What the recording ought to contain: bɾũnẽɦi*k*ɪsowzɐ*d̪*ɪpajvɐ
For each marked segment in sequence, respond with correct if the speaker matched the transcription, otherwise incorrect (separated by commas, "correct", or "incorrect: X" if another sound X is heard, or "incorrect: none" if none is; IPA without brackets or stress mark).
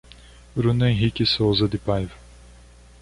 correct, correct